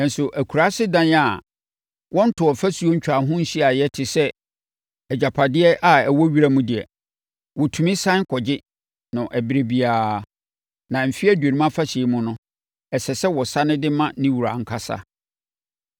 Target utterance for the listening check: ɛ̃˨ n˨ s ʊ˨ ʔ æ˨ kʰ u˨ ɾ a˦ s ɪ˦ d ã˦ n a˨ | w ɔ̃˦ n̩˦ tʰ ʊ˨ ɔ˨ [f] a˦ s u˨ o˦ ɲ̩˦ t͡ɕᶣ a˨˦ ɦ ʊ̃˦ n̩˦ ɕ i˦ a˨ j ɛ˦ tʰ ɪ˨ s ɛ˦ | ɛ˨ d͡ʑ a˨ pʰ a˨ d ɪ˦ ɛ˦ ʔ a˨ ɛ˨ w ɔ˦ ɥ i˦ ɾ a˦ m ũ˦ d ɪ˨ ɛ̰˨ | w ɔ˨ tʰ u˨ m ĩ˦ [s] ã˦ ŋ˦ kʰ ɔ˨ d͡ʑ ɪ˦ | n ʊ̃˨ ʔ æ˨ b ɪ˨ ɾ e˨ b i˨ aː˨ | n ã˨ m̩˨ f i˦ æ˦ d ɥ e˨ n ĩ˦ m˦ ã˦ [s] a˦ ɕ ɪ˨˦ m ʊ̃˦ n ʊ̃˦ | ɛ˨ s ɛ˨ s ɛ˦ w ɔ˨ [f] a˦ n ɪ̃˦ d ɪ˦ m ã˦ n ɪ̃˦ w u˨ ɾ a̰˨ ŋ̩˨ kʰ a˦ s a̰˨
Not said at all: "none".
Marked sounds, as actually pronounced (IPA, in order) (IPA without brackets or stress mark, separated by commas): f, s, f, s